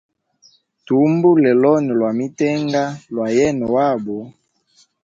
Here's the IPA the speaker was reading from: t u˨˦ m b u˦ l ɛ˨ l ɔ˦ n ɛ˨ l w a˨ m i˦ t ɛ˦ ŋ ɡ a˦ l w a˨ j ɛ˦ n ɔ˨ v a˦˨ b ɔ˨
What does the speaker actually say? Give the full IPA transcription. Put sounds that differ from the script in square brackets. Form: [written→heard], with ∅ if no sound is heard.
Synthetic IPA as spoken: t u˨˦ m b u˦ l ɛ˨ l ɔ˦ n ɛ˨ l w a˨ m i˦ t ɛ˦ ŋ ɡ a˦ l w a˨ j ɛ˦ n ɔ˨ [v→w] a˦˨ b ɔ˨